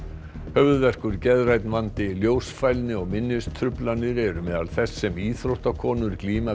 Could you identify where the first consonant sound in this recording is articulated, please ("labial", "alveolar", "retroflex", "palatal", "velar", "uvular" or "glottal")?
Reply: glottal